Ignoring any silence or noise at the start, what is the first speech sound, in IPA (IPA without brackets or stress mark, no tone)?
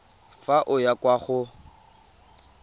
f